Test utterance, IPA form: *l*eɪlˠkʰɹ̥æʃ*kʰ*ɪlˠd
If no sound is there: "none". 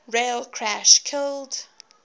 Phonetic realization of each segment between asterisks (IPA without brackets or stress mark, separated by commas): ɹ, kʰ